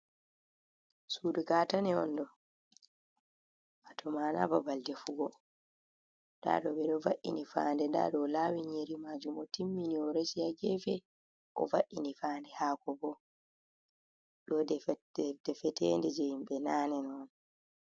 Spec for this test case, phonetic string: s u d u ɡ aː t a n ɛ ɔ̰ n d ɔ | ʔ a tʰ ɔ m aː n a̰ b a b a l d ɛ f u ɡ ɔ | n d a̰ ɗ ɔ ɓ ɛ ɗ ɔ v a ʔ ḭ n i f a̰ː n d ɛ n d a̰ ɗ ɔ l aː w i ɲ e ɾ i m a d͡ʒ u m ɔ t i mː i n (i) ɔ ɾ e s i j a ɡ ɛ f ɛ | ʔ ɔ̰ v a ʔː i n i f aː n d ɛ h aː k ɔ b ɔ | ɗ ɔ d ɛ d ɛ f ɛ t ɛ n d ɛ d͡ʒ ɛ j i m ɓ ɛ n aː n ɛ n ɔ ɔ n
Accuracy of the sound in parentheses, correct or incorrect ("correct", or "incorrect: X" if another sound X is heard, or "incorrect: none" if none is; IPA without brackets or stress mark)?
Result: correct